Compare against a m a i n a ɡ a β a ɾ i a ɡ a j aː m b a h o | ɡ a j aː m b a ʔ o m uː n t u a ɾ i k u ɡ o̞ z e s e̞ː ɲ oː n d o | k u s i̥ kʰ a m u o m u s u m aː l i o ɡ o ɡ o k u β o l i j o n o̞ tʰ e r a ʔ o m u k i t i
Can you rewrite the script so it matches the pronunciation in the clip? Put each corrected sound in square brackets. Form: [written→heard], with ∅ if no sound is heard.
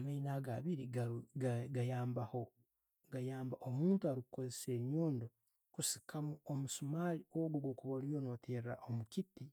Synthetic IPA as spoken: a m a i n a ɡ a β [a→i] ɾ i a ɡ a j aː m b a h o | ɡ a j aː m b a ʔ o m uː n t u a ɾ i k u [ɡ→k] o̞ z e s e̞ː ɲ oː n d o | k u s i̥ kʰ a m u o m u s u m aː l i o ɡ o ɡ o k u β o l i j o n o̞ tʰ e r a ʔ o m u k i t i